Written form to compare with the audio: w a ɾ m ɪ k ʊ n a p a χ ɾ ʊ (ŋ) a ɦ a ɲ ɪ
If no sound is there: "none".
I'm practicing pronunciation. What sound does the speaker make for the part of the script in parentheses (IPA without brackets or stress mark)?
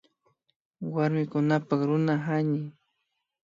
n